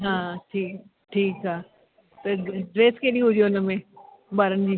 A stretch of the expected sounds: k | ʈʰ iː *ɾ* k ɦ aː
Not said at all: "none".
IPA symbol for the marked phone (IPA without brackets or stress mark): none